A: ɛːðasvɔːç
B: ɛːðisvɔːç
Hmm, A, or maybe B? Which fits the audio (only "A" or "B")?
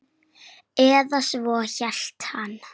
A